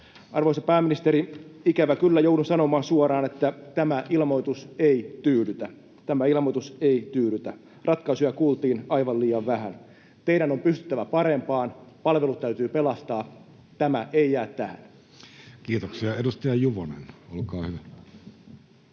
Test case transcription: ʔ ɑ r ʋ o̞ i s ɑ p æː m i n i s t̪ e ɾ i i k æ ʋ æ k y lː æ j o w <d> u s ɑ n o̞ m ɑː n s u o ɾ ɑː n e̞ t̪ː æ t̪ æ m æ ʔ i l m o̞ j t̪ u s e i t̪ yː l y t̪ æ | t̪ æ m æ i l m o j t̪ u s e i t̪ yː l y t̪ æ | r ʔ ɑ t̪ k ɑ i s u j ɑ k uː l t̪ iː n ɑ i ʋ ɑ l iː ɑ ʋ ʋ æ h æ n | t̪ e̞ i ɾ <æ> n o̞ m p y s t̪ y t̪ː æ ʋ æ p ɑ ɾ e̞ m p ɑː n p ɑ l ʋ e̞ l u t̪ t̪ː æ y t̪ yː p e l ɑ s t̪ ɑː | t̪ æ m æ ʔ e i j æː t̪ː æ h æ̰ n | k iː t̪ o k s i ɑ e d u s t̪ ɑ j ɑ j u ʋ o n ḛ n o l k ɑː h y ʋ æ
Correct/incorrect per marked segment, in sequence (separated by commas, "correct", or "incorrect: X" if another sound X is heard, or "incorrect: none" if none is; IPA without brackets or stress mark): correct, correct